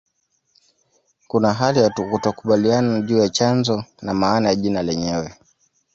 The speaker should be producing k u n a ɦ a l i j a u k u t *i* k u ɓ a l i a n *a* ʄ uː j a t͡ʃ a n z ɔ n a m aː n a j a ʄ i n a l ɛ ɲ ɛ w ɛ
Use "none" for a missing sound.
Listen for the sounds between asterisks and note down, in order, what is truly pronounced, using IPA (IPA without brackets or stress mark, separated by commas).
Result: a, a